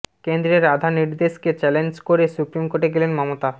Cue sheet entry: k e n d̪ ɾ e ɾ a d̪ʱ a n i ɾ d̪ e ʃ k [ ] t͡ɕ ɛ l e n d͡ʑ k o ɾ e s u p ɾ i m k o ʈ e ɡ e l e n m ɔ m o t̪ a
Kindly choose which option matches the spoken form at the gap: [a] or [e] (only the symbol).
e